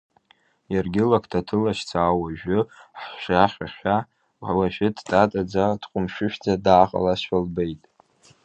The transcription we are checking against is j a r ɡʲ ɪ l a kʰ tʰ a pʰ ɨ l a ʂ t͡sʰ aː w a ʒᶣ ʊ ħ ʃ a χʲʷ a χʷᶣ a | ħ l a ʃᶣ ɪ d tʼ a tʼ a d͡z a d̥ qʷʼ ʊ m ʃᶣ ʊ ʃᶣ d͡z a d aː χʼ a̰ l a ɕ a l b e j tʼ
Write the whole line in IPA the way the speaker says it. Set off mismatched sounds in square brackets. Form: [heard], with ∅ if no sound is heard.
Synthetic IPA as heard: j a r ɡʲ ɪ l a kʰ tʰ a [tʰ] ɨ l a [ʃ] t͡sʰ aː w a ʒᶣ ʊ ħ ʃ a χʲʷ a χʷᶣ a | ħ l a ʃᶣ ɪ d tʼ a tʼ a d͡z a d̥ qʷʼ ʊ m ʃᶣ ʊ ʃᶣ d͡z a d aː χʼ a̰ l a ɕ a l b e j tʼ